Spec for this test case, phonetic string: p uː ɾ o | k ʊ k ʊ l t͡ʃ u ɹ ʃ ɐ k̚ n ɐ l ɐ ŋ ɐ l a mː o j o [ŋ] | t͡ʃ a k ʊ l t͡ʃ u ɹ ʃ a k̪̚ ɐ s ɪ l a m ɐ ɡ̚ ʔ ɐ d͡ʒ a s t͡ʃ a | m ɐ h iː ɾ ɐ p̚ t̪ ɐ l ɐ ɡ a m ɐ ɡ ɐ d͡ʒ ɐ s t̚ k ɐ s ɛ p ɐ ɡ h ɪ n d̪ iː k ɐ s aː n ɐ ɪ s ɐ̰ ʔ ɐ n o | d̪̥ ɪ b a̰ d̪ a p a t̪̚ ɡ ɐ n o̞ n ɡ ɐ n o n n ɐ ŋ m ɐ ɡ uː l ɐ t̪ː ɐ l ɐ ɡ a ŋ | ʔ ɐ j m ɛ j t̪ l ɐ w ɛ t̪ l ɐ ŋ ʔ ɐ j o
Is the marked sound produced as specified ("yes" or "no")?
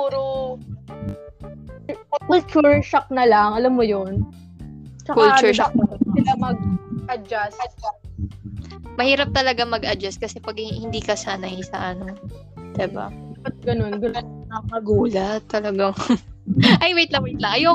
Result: no